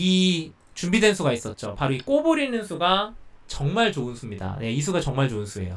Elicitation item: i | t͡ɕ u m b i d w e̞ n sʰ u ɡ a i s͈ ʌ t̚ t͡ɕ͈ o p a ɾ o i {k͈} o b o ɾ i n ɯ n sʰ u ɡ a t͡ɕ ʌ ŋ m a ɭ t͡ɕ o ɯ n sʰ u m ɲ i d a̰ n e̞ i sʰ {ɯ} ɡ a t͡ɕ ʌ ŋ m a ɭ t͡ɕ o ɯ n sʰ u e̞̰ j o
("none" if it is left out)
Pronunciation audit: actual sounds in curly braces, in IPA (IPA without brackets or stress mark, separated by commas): k͈, u